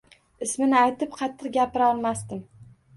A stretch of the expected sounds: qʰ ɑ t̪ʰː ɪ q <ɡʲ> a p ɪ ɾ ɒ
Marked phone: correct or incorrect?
correct